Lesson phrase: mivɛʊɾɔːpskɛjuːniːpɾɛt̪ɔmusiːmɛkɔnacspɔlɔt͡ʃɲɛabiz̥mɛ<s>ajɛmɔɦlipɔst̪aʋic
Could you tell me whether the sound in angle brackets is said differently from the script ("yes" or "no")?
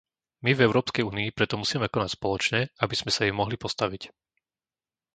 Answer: no